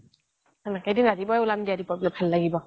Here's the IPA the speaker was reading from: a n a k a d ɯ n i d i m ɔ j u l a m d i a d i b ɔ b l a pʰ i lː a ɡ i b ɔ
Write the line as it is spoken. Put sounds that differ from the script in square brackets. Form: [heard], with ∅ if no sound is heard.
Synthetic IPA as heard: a n a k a d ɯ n [a] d i [b] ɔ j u l a m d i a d i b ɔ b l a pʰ [a] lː a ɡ i b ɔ